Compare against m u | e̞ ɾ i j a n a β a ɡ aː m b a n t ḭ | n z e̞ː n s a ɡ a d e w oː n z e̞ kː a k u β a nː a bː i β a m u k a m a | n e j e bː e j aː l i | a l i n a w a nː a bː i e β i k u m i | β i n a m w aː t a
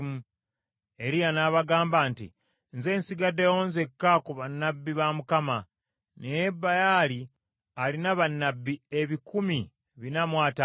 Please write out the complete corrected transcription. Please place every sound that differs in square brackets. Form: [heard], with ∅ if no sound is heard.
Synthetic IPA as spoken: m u | e̞ ɾ i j a n a β a ɡ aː m b a n t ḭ | n z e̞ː n s [i] ɡ a d e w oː n z e̞ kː a k u β a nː a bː i β a m u k a m a | n e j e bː [a] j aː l i | a l i n a [β] a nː a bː i e β i k u m i | β i n a m w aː t a